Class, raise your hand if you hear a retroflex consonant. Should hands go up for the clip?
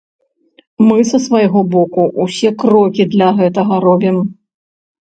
no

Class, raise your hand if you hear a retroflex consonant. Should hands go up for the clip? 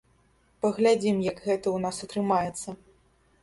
no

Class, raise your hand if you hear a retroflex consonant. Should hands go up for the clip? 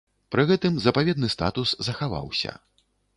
no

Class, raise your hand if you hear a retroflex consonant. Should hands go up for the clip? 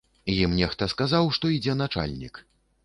yes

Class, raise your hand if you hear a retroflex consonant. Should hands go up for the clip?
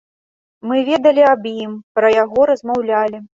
no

